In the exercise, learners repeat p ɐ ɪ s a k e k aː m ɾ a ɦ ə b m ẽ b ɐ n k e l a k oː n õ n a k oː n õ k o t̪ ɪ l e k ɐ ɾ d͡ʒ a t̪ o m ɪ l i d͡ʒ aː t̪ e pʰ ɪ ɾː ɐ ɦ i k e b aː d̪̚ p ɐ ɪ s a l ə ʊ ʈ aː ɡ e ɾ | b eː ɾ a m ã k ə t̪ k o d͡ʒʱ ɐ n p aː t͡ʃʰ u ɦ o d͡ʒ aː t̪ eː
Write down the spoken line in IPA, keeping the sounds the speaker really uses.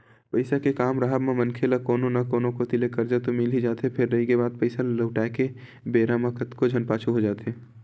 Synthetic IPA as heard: p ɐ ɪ s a k e k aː m ɾ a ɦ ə b m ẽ m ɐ n kʰ e l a k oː n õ n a k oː n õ k o t̪ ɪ l e k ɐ ɾ d͡ʒ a t̪ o m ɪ l i d͡ʒ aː t̪ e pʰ ɪ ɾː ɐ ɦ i k e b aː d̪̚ p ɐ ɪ s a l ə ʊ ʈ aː k e | b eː ɾ a m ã k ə t̪ k o d͡ʒʱ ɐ n p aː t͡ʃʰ u ɦ o d͡ʒ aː t̪ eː

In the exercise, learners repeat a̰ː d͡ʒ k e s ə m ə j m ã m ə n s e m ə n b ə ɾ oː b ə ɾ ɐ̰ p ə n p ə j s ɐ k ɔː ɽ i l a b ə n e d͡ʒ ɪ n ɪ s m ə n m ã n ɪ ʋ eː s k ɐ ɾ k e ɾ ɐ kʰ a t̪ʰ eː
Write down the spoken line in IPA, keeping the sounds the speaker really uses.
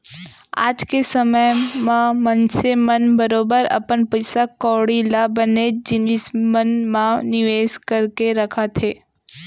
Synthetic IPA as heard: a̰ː d͡ʒ k e s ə m ə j m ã m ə n s e m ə n b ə ɾ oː b ə ɾ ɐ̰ p ə n p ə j s a k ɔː ɽ i l a b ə n e d͡ʒ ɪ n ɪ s m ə n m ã n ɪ ʋ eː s k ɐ ɾ k e ɾ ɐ kʰ a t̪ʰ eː

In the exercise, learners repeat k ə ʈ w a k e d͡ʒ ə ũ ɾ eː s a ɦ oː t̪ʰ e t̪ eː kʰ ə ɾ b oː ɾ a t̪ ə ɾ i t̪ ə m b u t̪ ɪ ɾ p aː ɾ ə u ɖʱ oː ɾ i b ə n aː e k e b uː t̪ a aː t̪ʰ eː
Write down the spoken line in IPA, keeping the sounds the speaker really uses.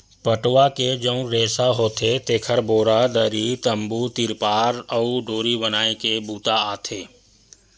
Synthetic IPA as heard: p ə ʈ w a k e d͡ʒ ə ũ ɾ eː s a ɦ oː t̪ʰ e t̪ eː kʰ ə ɾ b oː ɾ a d̪ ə ɾ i t̪ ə m b u t̪ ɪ ɾ p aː ɾ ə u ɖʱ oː ɾ i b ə n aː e k e b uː t̪ a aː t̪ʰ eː

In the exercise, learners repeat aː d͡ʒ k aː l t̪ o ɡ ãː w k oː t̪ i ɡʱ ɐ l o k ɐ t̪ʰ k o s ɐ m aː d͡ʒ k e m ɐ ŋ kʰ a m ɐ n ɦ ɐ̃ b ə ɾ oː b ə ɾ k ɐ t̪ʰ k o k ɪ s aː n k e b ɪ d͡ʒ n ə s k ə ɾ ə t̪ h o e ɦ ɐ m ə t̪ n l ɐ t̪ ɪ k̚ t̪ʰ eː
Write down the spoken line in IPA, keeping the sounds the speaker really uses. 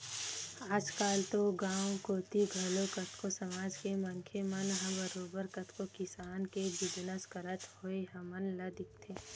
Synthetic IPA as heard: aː d͡ʒ k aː l t̪ o ɡ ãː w k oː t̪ i ɡʱ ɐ l o k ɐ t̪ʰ k o s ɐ m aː d͡ʒ k e m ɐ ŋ kʰ e m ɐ n ɦ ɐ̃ b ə ɾ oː b ə ɾ k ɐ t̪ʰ k o k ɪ s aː n k e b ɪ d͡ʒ n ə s k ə ɾ ə t̪ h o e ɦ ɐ m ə n l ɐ d̪ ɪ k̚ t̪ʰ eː

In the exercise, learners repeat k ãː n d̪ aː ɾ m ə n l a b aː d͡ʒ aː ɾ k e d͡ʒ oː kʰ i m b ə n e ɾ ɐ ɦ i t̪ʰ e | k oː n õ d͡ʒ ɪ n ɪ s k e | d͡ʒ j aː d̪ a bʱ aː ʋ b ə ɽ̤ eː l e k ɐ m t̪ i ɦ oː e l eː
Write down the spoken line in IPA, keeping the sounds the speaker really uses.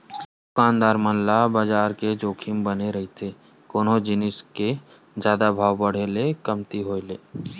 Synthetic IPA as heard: k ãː n d̪ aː ɾ m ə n l a b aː d͡ʒ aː ɾ k e d͡ʒ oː kʰ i m b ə n e ɾ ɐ ɦ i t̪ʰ e | k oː n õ d͡ʒ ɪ n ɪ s k e | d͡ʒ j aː d̪ a bʱ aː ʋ b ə ɽ̤ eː l e k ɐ m t̪ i ɦ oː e l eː

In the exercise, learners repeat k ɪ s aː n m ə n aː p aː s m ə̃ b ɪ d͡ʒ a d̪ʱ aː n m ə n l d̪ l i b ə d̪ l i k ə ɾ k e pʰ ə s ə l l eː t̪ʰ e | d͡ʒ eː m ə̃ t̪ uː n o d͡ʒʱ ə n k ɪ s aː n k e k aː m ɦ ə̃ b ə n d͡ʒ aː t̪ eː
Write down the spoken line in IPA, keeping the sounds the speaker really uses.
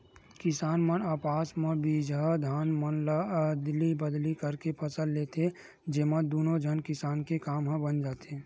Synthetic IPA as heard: k ɪ s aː n m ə n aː p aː s m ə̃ b i d͡ʒ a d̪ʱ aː n m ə n l d̪ l i b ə d̪ l i k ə ɾ k e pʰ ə s ə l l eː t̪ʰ e | d͡ʒ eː m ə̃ d̪ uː n o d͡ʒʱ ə n k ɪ s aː n k e k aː m ɦ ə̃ b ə n d͡ʒ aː t̪ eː

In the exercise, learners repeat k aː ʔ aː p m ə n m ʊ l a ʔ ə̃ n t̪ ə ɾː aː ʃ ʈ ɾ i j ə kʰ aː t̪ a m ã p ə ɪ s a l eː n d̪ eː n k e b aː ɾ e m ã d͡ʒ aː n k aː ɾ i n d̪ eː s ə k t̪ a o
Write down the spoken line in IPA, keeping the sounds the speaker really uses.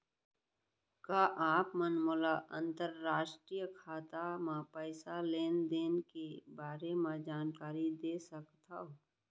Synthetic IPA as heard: k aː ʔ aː p m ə n m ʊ l a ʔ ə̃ n t̪ ə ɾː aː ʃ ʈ ɾ i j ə kʰ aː t̪ a m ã p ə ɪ s a l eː n d̪ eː n k e b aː ɾ e m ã d͡ʒ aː n k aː ɾ i d̪ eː s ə k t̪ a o

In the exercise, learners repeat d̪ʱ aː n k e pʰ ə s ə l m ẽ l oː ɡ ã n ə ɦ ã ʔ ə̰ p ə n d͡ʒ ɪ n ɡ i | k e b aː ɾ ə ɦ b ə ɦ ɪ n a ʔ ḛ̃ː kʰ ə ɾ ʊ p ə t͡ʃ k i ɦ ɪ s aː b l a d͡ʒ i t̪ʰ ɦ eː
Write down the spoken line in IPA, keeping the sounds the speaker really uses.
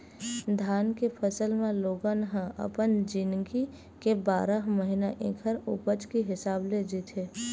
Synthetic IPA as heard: d̪ʱ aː n k e pʰ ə s ə l m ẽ l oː ɡ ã n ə ɦ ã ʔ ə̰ p ə n d͡ʒ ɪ n ɡ i | k e b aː ɾ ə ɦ m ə ɦ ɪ n a ʔ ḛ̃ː kʰ ə ɾ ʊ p ə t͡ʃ k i ɦ ɪ s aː b l e d͡ʒ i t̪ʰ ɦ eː

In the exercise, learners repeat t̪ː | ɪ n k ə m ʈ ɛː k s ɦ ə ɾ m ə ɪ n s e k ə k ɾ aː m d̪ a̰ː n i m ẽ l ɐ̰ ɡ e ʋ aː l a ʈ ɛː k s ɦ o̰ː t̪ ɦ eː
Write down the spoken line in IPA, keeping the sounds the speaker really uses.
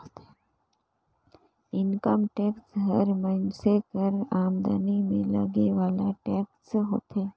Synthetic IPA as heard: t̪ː | ɪ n k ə m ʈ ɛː k s ɦ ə ɾ m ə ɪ n s e k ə ɾ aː m d̪ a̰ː n i m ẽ l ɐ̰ ɡ e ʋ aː l a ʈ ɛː k s ɦ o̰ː t̪ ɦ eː

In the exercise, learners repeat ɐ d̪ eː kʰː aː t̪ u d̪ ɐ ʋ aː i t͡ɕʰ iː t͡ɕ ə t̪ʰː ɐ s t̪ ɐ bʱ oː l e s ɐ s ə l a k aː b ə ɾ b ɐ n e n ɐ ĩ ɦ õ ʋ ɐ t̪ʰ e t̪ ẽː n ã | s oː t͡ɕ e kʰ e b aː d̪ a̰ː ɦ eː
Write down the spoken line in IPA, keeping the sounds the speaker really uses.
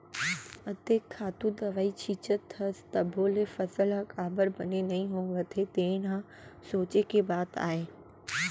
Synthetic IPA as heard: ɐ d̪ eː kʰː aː t̪ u d̪ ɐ ʋ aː i t͡ɕʰ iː t͡ɕ ə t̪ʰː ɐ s t̪ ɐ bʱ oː l e f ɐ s ə l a k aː b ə ɾ b ɐ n e n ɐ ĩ ɦ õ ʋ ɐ t̪ʰ e t̪ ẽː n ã | s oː t͡ɕ e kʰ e b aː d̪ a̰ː ɦ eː

